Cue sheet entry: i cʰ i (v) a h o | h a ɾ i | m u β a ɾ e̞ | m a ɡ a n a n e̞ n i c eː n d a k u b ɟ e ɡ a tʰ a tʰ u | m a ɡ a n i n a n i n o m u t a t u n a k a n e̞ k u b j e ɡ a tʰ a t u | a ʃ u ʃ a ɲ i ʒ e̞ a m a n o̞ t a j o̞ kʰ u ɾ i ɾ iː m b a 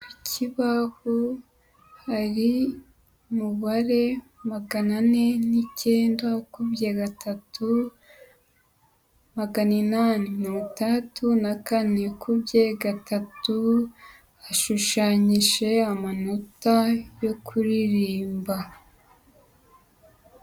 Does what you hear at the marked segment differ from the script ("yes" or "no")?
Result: yes